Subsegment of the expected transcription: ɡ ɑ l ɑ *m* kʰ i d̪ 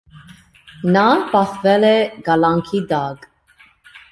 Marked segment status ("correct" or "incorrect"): incorrect